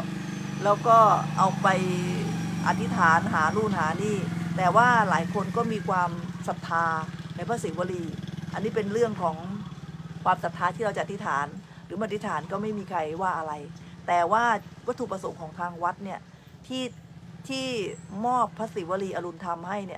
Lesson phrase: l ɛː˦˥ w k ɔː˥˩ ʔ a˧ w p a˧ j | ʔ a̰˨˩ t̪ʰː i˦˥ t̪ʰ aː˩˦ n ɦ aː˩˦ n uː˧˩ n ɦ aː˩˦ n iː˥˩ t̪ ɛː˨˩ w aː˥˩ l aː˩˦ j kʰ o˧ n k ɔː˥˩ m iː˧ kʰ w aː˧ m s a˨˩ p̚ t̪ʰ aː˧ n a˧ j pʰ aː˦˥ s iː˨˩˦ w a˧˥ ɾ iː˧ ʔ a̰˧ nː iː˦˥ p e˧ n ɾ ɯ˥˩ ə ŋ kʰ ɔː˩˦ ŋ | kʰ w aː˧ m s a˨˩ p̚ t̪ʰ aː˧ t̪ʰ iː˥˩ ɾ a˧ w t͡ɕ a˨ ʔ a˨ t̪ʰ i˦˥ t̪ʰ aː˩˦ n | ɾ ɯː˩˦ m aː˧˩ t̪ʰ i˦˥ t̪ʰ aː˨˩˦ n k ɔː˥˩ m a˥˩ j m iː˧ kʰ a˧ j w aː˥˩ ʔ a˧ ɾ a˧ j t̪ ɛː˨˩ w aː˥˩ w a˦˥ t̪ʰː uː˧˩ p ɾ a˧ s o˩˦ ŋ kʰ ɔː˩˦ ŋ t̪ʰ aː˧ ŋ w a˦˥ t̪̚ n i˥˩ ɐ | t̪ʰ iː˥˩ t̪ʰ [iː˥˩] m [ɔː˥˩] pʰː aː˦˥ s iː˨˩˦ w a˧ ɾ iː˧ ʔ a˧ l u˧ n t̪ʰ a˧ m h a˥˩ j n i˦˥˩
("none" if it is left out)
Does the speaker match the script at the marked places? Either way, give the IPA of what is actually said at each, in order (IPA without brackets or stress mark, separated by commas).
iː˥˩, ɔː˥˩